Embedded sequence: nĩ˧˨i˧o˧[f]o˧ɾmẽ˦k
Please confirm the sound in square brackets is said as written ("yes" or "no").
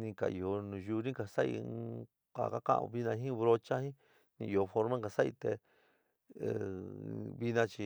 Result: yes